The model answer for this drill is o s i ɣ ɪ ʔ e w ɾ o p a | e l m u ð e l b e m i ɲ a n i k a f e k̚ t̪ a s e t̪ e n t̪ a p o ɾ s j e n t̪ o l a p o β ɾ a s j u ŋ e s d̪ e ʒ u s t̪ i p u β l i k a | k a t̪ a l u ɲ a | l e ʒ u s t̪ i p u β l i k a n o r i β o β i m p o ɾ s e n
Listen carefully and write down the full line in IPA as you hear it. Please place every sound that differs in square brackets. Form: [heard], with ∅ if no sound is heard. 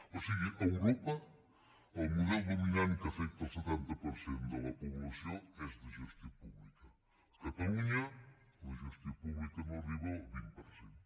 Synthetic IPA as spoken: o s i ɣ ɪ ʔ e w ɾ o p a | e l m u ð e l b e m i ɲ a n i k a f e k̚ t̪ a s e t̪ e n t̪ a p o ɾ s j e n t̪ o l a p o β [l] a s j [o] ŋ e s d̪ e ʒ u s t̪ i p u β l i k a | k a t̪ a l u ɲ a | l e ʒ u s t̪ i p u β l i k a n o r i β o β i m p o ɾ s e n